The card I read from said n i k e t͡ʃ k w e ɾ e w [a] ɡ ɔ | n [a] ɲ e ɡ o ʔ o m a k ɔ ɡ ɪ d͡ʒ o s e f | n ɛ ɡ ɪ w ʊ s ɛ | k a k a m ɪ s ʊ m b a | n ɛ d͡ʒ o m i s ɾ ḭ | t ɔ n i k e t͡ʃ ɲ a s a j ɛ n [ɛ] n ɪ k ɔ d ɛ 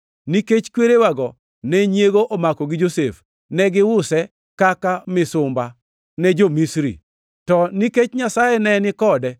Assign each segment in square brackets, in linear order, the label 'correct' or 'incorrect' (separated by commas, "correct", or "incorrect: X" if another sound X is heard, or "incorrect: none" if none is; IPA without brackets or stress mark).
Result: correct, incorrect: ɛ, correct